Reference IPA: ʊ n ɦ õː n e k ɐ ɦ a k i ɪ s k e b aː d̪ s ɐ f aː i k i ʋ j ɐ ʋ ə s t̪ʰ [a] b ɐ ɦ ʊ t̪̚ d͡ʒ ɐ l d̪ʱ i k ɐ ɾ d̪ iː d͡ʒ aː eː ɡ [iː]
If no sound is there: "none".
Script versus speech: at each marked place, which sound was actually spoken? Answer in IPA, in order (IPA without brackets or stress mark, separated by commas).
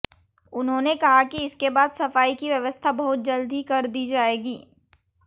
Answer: a, iː